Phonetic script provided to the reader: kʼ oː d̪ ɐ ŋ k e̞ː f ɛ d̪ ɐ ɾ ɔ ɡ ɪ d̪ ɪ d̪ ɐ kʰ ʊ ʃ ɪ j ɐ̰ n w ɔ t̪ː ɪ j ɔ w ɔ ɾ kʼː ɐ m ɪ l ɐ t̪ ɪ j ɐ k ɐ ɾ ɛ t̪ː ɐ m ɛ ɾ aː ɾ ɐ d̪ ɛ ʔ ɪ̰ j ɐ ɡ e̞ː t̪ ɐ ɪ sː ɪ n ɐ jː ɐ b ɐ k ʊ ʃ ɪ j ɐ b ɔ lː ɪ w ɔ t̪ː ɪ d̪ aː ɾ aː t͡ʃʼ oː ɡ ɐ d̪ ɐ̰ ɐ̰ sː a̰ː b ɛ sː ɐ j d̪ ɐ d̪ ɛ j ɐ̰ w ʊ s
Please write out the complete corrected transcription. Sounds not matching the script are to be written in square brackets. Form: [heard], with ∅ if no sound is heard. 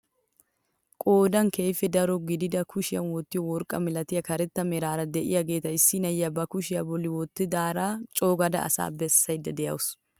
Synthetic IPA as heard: kʼ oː d̪ ɐ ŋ k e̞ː f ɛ d̪ ɐ ɾ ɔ ɡ ɪ d̪ ɪ d̪ ɐ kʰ ʊ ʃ ɪ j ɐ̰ n w ɔ t̪ː ɪ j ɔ w ɔ ɾ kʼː ɐ m ɪ l ɐ t̪ ɪ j ɐ k ɐ ɾ ɛ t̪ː ɐ m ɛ ɾ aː ɾ ɐ d̪ ɛ ʔ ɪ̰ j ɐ ɡ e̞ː t̪ ɐ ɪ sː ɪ n ɐ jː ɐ b ɐ k ʊ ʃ ɪ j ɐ b ɔ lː ɪ w ɔ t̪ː ɪ d̪ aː ɾ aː t͡ʃʼ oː ɡ ɐ d̪ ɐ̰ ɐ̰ [s] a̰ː b ɛ sː ɐ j d̪ ɐ d̪ ɛ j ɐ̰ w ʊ s

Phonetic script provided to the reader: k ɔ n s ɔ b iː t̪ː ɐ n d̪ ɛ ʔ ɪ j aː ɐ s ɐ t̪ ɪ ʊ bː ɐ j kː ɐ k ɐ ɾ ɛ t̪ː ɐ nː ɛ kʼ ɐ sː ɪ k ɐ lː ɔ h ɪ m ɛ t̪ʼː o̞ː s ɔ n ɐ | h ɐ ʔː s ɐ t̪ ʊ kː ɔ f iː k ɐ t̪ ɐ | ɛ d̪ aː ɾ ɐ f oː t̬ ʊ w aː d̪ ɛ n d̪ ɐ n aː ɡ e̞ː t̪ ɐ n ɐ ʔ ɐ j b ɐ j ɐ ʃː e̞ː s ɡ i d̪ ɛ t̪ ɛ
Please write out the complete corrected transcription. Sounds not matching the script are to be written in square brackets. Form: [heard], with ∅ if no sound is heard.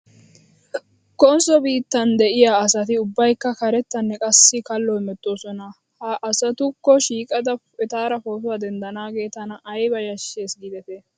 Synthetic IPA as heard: k ɔ n s ɔ b iː t̪ː ɐ n d̪ ɛ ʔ ɪ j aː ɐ s ɐ t̪ ɪ ʊ bː ɐ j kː ɐ k ɐ ɾ ɛ t̪ː ɐ nː ɛ kʼ ɐ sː ɪ k ɐ lː ɔ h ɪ m ɛ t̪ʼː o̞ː s ɔ n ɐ | h ɐ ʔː s ɐ t̪ ʊ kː ɔ [ʃ] iː [kʼ] ɐ [d̪] ɐ | ɛ [t̪] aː ɾ ɐ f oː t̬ ʊ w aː d̪ ɛ n d̪ ɐ n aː ɡ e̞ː t̪ ɐ n ɐ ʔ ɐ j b ɐ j ɐ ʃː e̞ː s ɡ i d̪ ɛ t̪ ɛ

